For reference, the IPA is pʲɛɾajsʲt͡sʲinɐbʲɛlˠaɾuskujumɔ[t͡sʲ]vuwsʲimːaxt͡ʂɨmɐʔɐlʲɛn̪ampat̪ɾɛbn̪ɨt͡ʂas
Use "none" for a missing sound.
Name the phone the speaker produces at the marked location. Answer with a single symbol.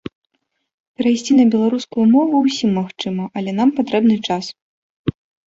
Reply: none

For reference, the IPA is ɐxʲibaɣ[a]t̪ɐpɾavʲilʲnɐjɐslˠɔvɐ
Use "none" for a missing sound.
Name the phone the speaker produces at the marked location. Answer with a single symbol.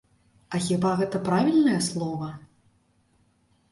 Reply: ɛ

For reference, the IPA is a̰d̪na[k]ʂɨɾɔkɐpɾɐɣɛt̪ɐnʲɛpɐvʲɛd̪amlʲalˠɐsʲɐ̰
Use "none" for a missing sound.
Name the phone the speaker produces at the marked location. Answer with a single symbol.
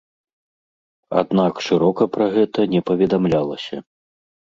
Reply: k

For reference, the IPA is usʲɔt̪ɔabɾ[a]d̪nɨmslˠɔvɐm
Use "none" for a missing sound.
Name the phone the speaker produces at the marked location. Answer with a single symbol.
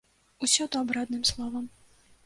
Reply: a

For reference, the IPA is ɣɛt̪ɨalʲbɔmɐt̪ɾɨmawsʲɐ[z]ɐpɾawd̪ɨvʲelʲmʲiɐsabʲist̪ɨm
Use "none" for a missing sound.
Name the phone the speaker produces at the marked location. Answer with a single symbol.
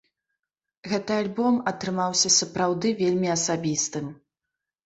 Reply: s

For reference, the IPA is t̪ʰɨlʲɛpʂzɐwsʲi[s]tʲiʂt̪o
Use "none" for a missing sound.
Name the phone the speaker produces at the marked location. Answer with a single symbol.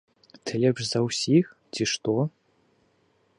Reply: x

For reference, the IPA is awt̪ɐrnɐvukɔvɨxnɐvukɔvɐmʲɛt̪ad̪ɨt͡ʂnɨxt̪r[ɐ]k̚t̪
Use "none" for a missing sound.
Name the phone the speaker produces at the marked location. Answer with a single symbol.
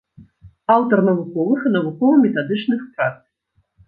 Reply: a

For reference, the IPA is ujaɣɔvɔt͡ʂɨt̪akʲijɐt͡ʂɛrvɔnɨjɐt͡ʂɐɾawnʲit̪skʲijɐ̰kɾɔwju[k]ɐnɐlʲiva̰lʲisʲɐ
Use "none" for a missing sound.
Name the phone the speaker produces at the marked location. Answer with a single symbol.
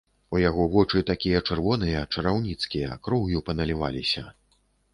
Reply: p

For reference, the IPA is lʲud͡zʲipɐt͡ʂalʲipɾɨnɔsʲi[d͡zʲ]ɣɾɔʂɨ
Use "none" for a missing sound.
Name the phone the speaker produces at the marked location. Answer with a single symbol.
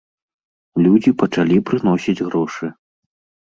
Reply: d͡zʲ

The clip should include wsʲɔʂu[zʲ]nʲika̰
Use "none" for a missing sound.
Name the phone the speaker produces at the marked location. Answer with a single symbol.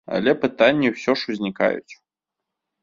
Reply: zʲ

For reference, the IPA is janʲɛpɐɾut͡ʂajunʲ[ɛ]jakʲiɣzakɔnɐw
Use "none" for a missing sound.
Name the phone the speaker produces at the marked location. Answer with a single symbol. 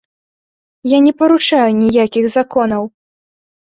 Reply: i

